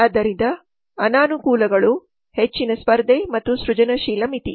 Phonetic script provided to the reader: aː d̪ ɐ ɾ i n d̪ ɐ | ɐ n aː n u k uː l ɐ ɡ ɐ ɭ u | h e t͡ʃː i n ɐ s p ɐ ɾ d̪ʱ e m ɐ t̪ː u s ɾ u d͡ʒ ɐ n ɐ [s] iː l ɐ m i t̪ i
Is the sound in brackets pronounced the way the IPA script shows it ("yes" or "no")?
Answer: no